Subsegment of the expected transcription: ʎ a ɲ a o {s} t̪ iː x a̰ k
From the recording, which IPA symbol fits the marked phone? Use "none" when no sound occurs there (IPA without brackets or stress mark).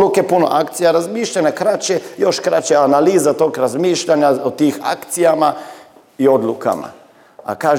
none